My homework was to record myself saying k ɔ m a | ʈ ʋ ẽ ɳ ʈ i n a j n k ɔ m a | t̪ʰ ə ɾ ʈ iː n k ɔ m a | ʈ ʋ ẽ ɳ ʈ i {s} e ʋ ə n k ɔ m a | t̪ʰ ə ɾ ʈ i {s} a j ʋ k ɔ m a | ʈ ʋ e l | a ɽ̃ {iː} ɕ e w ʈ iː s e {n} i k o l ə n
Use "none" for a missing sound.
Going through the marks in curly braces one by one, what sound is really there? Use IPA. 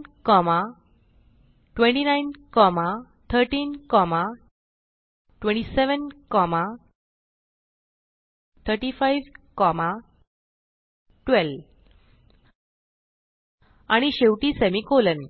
s, f, i, m

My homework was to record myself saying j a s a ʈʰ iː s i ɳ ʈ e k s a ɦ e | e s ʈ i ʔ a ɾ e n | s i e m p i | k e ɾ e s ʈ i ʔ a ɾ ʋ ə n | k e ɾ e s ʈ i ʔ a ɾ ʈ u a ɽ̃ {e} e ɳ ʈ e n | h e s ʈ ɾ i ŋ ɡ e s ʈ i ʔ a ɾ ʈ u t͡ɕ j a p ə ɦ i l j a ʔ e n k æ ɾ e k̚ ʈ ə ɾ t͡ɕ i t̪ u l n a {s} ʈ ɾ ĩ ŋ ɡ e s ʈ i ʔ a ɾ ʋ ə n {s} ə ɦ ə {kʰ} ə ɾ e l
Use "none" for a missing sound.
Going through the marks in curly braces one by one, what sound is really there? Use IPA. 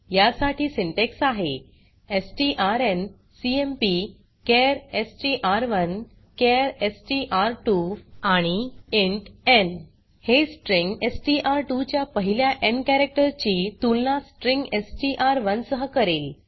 i, s, s, k

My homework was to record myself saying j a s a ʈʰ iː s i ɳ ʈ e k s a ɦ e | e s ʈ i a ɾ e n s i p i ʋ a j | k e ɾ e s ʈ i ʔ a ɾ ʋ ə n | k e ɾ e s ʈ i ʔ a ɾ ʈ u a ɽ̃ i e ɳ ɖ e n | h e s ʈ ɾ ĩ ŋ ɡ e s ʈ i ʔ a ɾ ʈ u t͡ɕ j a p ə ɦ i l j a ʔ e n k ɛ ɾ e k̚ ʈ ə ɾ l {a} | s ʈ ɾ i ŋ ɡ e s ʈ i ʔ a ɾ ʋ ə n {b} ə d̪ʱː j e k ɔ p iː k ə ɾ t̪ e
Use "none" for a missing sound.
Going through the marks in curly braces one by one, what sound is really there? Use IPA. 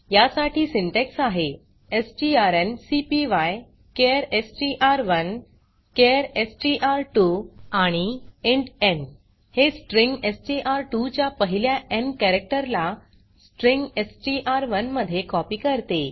a, m

